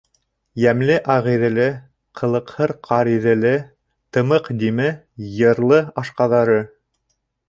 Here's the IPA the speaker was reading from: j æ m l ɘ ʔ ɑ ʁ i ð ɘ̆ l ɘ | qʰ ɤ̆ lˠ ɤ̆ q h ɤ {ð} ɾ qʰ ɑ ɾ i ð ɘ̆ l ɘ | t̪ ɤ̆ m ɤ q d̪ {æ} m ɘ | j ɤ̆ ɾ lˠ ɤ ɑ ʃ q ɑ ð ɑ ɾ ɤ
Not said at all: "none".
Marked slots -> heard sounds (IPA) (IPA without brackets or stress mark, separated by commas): none, i